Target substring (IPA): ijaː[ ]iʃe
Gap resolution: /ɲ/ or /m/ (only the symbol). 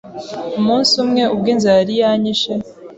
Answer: ɲ